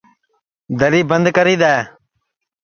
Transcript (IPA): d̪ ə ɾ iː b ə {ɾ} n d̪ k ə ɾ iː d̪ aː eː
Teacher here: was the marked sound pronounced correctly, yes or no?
no